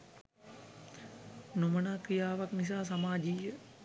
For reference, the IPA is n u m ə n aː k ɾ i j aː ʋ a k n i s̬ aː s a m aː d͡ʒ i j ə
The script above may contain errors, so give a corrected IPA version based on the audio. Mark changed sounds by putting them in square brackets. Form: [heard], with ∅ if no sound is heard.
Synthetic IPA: n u m ə n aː k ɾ i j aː ʋ a k n i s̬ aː s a m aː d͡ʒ i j ə